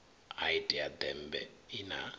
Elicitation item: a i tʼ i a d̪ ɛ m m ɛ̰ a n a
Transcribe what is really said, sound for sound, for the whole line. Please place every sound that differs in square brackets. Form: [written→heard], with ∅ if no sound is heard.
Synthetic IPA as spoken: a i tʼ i a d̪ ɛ m [m→b] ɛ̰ [a→i] n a